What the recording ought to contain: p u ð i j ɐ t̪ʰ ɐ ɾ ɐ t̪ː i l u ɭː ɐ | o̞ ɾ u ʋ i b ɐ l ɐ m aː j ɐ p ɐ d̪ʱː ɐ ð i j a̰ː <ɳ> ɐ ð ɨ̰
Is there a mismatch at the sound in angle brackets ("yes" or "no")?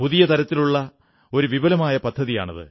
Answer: no